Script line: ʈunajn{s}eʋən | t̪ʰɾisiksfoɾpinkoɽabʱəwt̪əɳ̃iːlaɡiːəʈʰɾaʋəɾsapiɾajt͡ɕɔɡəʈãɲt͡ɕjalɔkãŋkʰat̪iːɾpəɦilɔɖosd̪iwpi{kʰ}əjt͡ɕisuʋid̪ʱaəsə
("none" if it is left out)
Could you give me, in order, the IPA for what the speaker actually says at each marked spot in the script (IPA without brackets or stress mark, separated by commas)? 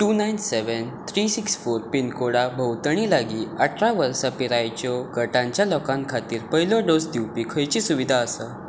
s, kʰ